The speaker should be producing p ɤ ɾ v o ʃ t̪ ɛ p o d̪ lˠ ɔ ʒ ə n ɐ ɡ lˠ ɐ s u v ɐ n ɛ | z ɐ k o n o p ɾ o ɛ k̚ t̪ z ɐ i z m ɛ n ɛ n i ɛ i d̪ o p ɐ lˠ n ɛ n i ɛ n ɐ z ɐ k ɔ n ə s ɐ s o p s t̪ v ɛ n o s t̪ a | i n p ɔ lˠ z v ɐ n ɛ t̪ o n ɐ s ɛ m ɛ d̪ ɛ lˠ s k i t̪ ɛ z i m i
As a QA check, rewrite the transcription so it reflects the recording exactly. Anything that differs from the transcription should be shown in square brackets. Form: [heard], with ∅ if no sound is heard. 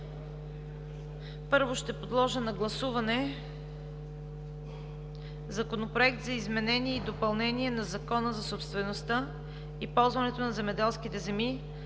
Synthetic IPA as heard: p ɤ ɾ v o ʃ t̪ ɛ p o d̪ lˠ ɔ ʒ ə n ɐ ɡ lˠ ɐ s u v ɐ n ɛ | z ɐ k o n o p ɾ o ɛ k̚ t̪ z ɐ i z m ɛ n ɛ n i ɛ i d̪ o p ɐ lˠ n ɛ n i ɛ n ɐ z ɐ k ɔ n ə [z] ɐ s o p s t̪ v ɛ n o s t̪ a | i [∅] p ɔ lˠ z v ɐ n ɛ t̪ o n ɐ [z] ɛ m ɛ d̪ ɛ lˠ s k i t̪ ɛ z [ɛ] m i